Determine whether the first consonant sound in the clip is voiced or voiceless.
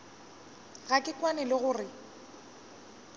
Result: voiced